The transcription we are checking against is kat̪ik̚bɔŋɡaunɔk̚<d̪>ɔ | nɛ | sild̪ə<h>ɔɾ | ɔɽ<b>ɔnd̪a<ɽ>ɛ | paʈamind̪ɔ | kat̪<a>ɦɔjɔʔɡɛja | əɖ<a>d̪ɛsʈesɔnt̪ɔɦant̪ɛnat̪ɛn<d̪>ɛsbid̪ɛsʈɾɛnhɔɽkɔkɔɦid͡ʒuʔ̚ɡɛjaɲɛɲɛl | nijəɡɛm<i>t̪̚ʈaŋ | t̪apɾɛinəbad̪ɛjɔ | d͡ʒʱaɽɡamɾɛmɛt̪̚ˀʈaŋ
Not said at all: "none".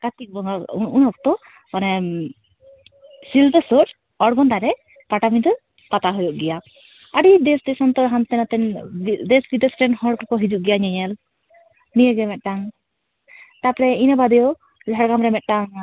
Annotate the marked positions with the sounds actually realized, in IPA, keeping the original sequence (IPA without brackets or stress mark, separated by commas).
t̪, s, ɡ, ɾ, a, i, d̪, ɛ